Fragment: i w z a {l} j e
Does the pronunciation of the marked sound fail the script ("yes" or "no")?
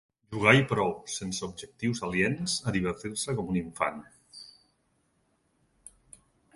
no